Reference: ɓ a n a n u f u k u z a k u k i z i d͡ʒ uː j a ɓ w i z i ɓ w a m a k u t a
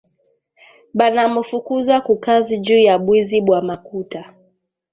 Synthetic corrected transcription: ɓ a n a m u f u k u z a k u k a z i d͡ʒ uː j a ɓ w i z i ɓ w a m a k u t a